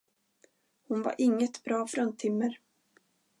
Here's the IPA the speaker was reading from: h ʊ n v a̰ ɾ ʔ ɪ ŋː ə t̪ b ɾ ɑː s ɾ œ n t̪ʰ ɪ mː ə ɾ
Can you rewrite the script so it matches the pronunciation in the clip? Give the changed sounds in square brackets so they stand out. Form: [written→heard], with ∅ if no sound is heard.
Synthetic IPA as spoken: h ʊ n v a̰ ɾ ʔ ɪ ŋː ə t̪ b ɾ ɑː [s→f] ɾ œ n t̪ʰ ɪ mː ə ɾ

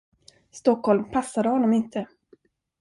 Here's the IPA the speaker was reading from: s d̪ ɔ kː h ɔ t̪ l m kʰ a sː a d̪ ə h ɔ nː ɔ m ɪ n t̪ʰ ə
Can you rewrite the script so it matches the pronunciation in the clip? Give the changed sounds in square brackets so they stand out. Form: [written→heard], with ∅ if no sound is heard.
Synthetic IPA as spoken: s [d̪→t̪] ɔ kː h ɔ [t̪→∅] l m [kʰ→pʰ] a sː a d̪ ə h ɔ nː ɔ m ɪ n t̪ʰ ə

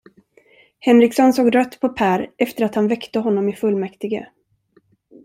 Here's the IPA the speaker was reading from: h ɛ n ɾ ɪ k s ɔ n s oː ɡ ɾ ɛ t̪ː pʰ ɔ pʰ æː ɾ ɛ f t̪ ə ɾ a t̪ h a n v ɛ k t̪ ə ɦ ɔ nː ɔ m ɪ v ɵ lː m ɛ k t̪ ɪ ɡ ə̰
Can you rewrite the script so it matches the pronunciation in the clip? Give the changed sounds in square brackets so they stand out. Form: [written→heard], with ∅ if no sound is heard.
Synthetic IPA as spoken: h ɛ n ɾ ɪ k s ɔ n s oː ɡ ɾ [ɛ→œ] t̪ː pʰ ɔ pʰ æː ɾ ɛ f t̪ ə ɾ a t̪ h a n v ɛ k t̪ ə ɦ ɔ nː ɔ m ɪ [v→f] ɵ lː m ɛ k t̪ ɪ ɡ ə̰

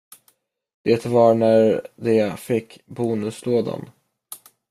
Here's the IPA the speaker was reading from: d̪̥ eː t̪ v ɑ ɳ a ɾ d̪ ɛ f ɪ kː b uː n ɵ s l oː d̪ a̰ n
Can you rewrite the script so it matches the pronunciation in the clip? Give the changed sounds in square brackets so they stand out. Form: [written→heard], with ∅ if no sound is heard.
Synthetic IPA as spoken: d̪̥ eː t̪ v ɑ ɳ [a→æ] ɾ d̪ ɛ f ɪ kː b uː n ɵ s l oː d̪ a̰ n

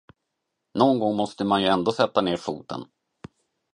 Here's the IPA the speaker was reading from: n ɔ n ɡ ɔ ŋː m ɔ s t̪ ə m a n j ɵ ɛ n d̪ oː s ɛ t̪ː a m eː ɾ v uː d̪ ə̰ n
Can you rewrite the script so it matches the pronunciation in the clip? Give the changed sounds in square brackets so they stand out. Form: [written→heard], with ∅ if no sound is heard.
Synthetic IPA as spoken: n ɔ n ɡ ɔ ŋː m ɔ s t̪ ə m a n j ɵ ɛ n d̪ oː s ɛ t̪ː a [m→n] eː ɾ [v→f] uː [d̪→t̪] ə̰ n

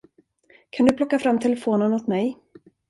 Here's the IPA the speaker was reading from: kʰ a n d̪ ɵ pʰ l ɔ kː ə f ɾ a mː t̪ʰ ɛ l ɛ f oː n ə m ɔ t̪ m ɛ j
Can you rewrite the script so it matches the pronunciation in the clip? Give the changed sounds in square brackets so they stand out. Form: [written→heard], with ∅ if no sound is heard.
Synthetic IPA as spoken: kʰ a n d̪ ɵ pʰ l ɔ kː [ə→a] f ɾ a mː t̪ʰ ɛ l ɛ f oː n ə [m→n] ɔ t̪ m ɛ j

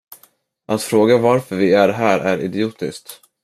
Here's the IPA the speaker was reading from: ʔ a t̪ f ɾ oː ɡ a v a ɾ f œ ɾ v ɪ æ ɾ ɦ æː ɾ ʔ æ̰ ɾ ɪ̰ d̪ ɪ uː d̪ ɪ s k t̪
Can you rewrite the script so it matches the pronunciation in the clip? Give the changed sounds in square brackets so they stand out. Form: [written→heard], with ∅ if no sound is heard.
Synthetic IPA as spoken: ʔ a t̪ f ɾ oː ɡ a v a ɾ f œ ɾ v ɪ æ ɾ ɦ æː ɾ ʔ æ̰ ɾ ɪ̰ d̪ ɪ uː [d̪→t̪] ɪ s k t̪

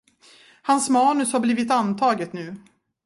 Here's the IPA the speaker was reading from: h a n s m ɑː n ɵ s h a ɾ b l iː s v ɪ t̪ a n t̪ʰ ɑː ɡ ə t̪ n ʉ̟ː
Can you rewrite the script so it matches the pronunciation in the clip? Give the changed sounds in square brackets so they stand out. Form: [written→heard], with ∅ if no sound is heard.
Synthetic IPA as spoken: h a n s m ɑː n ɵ s h a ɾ b l iː [s→∅] v ɪ t̪ a n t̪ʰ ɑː ɡ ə t̪ n ʉ̟ː

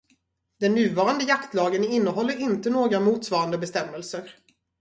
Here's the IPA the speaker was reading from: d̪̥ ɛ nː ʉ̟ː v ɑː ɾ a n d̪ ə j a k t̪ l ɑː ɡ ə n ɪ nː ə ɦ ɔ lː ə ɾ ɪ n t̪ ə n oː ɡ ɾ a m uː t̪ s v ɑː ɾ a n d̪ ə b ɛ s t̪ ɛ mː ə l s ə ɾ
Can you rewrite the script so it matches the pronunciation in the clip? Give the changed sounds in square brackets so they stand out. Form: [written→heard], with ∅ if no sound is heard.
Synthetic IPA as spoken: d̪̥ ɛ nː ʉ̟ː v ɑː ɾ a n d̪ ə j a k t̪ l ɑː ɡ ə n ɪ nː ə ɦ ɔ lː ə ɾ ɪ n t̪ ə n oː ɡ ɾ a m uː t̪ s v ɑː ɾ a n d̪ ə b ɛ s t̪ ɛ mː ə l s ə ɾ

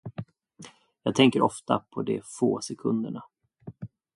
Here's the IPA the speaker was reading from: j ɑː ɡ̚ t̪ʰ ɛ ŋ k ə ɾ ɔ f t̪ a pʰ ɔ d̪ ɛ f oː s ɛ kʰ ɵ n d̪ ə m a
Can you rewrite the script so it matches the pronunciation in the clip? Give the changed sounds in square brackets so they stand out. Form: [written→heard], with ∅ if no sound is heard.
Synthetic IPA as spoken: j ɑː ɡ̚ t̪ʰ ɛ ŋ k ə ɾ ɔ f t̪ a pʰ ɔ d̪ ɛ f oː s ɛ kʰ ɵ n d̪ ə [m→ɳ] a

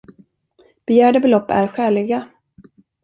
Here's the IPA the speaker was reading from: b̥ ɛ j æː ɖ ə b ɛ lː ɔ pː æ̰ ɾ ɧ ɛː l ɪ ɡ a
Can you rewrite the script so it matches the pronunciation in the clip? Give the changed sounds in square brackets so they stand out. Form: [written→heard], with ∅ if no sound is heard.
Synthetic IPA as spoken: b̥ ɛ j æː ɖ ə b ɛ [lː→l] ɔ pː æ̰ ɾ ɧ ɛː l ɪ ɡ a

